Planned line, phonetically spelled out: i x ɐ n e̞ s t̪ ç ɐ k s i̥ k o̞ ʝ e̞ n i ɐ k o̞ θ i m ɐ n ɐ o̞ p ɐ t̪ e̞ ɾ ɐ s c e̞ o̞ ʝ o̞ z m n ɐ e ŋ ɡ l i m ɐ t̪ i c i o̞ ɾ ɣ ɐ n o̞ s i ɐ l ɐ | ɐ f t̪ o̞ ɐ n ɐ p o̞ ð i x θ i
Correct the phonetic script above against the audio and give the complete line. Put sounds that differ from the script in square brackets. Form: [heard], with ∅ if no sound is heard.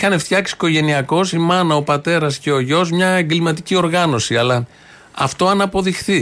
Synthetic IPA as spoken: i x ɐ n e̞ [f] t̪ ç ɐ k s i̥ k o̞ ʝ e̞ n i ɐ k o̞ [s] i m ɐ n ɐ o̞ p ɐ t̪ e̞ ɾ ɐ s c e̞ o̞ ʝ o̞ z m [ɲ] ɐ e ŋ ɡ l i m ɐ t̪ i c i o̞ ɾ ɣ ɐ n o̞ s i ɐ l ɐ | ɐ f t̪ o̞ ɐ n ɐ p o̞ ð i x θ i